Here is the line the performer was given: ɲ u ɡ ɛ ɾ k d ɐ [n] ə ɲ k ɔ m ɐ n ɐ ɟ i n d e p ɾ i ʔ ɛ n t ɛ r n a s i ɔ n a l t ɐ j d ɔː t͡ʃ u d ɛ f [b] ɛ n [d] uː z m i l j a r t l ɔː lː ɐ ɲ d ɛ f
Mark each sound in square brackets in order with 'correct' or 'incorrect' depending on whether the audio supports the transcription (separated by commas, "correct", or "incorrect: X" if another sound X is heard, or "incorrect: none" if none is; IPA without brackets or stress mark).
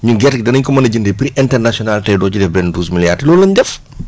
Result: correct, correct, correct